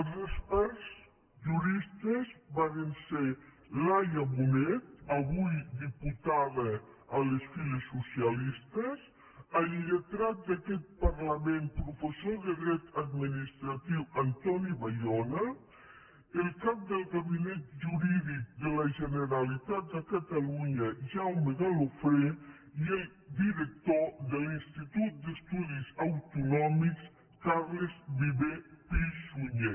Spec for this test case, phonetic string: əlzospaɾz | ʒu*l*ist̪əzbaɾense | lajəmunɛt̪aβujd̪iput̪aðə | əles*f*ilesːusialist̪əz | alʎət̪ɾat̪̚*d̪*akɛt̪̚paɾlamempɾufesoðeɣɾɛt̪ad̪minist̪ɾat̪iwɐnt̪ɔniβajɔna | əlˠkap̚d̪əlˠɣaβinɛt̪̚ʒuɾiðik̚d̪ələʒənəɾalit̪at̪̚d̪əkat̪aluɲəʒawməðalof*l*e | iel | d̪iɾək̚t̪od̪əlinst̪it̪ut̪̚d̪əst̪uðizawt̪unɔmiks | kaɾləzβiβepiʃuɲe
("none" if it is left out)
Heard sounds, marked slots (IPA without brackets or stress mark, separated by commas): ɾ, f, d̪, ɾ